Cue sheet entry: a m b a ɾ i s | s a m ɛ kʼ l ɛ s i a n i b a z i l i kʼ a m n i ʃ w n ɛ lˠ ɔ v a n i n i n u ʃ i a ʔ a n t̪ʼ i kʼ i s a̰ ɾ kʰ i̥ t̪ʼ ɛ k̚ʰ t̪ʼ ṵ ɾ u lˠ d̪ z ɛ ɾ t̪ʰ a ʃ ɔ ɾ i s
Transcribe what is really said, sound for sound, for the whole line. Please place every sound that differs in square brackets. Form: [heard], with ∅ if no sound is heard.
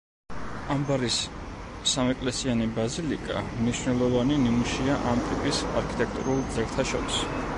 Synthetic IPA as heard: a m b a ɾ i s | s a m ɛ kʼ l ɛ s i a n i b a z i l i kʼ a m n i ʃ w n ɛ lˠ ɔ v a n i n i [m] u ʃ i a ʔ a [m] t̪ʼ i [pʼ] i s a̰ ɾ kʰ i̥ t̪ʼ ɛ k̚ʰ t̪ʼ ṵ ɾ u lˠ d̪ z ɛ ɾ t̪ʰ a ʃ ɔ ɾ i s